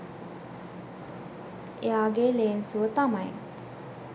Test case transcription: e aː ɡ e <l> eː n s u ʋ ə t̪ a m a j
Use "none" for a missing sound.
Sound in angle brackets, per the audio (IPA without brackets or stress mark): l